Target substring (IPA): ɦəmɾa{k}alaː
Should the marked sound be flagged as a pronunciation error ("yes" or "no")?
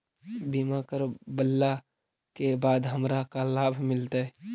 no